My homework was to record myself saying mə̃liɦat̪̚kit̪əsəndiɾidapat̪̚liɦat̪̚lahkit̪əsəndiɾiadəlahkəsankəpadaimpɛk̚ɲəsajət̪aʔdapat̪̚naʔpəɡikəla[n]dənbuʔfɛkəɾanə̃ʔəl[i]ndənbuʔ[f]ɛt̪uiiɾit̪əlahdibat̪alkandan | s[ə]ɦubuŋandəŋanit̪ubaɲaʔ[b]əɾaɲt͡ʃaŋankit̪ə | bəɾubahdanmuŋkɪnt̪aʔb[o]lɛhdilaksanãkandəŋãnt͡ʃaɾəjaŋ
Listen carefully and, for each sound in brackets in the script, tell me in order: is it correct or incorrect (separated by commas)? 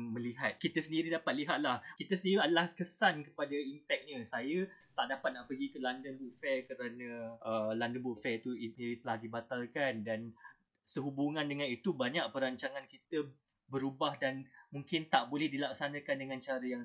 correct, incorrect, correct, correct, incorrect, correct